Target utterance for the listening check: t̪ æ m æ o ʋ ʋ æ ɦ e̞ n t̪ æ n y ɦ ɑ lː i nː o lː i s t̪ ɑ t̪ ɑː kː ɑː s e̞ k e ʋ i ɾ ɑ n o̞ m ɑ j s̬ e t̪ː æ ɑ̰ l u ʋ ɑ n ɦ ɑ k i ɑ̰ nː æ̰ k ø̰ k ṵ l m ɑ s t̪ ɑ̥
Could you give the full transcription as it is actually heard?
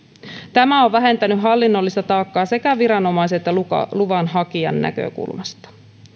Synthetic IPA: t̪ æ m æ o ʋ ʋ æ ɦ e̞ n t̪ æ n y ɦ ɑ lː i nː o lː i s t̪ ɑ t̪ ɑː kː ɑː s e̞ k æ ʋ i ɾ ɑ n o̞ m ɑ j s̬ e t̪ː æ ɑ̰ l u ʋ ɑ n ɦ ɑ k i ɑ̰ nː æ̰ k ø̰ k ṵ l m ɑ s t̪ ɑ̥